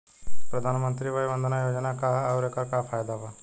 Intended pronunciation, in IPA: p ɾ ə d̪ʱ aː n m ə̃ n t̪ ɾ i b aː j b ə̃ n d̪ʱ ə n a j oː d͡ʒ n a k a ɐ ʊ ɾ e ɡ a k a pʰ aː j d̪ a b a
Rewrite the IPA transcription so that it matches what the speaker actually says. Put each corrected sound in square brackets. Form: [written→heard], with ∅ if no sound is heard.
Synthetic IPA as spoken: p ɾ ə d̪ʱ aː n m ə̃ n t̪ ɾ i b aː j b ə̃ n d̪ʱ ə n a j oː d͡ʒ n a k a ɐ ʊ ɾ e [ɡ→k] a k a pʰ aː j d̪ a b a